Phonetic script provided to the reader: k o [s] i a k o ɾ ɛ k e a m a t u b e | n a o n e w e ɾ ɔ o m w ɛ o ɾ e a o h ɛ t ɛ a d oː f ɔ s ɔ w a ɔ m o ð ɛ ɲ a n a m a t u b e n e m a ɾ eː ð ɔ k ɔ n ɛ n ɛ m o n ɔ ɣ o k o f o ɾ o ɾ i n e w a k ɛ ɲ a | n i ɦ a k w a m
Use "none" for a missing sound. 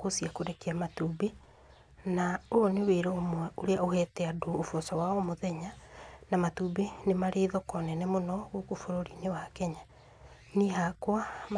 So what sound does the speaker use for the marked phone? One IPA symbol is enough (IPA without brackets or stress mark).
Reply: s